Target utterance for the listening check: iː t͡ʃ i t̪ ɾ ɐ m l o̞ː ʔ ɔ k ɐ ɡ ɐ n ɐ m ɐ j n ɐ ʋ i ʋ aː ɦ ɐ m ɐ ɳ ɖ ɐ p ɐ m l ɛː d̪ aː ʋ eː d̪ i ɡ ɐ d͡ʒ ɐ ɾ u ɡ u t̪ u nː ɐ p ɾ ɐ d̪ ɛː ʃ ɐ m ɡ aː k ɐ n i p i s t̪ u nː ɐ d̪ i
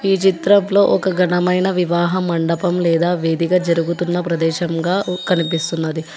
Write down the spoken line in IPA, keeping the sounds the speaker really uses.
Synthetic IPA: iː t͡ʃ i t̪ ɾ ɐ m l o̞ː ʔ ɔ k ɐ ɡ ɐ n ɐ m ɐ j n ɐ ʋ i ʋ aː ɦ ɐ m ɐ ɳ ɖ ɐ p ɐ m l ɛː d̪ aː ʋ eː d̪ i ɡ ɐ d͡ʒ ɐ ɾ u ɡ u t̪ u nː ɐ p ɾ ɐ d̪ ɛː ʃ ɐ m ɡ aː k ɐ n i p i s t̪ u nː ɐ d̪ i